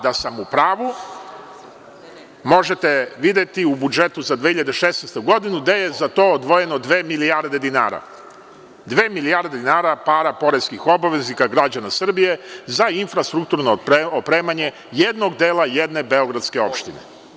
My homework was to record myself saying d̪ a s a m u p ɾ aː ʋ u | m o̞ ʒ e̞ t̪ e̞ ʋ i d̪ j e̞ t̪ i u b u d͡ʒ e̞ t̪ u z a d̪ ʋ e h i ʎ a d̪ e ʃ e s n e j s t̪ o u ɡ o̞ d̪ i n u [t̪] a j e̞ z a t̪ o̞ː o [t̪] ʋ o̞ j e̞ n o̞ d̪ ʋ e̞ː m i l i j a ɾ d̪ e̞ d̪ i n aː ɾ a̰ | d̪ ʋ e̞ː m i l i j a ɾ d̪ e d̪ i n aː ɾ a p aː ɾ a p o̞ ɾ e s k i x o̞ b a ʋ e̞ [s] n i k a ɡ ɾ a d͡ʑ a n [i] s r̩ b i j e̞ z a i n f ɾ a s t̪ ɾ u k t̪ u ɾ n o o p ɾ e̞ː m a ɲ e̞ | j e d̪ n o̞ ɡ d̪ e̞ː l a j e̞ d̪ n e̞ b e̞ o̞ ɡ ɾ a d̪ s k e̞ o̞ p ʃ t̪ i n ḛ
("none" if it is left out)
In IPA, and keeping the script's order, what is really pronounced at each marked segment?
d̪, d̪, z, a

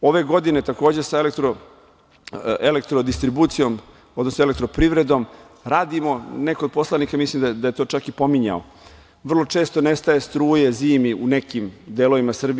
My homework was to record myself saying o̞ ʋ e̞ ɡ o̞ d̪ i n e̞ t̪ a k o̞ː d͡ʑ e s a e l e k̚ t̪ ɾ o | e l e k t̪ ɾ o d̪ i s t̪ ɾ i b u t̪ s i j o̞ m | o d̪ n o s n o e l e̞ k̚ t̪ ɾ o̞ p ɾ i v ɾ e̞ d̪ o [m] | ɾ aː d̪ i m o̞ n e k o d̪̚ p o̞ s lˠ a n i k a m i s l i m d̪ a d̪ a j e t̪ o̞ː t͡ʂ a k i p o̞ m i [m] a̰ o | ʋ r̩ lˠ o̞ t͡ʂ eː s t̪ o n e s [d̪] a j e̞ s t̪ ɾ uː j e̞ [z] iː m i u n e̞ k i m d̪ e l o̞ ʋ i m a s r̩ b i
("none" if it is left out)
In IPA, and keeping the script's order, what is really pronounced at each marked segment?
m, ɲ, t̪, z

